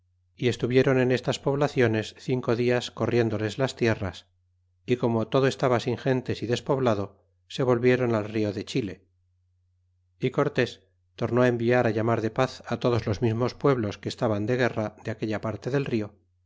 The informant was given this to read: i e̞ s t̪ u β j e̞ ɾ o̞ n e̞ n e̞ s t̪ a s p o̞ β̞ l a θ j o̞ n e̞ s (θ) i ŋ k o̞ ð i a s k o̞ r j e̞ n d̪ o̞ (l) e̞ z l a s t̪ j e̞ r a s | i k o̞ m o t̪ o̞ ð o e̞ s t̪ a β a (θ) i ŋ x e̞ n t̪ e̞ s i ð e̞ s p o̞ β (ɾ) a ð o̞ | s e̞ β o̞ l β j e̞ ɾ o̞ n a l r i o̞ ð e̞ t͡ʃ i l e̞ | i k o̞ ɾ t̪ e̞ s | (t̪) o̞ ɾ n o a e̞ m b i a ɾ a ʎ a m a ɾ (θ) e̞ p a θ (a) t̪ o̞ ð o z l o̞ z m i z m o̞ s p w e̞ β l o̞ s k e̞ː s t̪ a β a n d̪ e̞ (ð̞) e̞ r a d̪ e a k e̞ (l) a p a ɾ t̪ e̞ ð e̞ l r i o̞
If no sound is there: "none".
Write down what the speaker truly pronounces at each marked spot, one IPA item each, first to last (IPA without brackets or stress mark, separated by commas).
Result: θ, l, s, l, t̪, ð, a, ɣ̞, ʎ